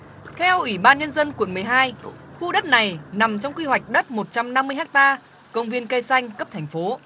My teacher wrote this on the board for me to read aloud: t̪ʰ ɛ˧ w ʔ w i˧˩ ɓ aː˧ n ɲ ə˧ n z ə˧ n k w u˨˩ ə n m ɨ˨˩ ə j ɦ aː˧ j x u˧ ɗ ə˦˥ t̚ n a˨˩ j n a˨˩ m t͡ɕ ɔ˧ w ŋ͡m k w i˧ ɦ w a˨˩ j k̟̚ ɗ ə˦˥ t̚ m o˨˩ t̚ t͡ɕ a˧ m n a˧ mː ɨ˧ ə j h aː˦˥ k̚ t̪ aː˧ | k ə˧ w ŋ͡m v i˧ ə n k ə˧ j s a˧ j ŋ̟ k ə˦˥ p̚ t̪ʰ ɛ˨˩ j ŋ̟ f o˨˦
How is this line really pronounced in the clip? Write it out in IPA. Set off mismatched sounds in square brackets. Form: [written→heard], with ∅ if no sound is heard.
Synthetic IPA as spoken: t̪ʰ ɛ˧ w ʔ w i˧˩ ɓ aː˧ n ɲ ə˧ n z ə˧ n k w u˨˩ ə n m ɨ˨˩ ə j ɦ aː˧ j x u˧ ɗ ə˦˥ t̚ n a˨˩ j n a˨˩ m t͡ɕ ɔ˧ w ŋ͡m k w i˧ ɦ w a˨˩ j k̟̚ ɗ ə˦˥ t̚ m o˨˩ t̚ t͡ɕ a˧ m n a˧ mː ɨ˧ ə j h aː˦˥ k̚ t̪ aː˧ | k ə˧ w ŋ͡m v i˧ ə n k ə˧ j s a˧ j ŋ̟ k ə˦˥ p̚ t̪ʰ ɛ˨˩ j ŋ̟ f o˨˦